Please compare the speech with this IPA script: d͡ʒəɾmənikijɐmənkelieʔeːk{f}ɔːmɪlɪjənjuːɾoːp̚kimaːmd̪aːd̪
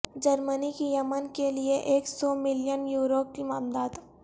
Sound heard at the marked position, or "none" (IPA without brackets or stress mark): s